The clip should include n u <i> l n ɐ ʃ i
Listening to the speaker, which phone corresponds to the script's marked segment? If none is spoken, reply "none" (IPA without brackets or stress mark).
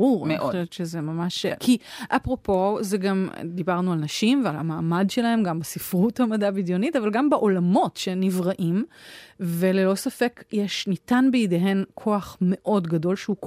a